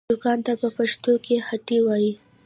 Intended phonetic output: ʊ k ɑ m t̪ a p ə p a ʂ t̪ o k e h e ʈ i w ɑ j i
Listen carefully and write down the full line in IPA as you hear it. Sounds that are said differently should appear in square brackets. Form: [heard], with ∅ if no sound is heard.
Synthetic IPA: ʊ k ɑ [n] t̪ a p ə p a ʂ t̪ o k e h [a] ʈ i w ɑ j i